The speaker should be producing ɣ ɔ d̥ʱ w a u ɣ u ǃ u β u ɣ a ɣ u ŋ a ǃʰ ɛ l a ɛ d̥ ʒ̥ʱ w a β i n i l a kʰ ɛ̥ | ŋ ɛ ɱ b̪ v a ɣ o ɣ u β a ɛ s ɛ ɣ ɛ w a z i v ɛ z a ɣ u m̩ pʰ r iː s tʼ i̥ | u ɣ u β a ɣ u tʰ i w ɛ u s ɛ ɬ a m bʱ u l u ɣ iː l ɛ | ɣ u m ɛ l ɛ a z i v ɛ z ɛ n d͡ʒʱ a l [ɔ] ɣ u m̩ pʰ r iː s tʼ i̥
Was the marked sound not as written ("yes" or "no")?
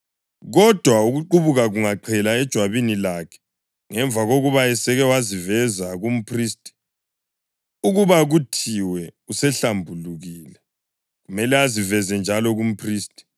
no